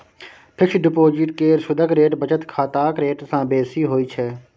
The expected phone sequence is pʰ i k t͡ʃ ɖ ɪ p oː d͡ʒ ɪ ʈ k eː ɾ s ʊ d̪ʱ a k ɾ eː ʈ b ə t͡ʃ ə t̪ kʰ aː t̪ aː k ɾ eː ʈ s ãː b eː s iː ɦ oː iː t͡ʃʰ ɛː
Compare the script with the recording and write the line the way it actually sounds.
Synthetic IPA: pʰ ɪ k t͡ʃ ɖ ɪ p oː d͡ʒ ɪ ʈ k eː ɾ s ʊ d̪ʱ ə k ɾ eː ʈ b ə t͡ʃ ə t̪ kʰ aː t̪ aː k ɾ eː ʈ s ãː b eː s iː ɦ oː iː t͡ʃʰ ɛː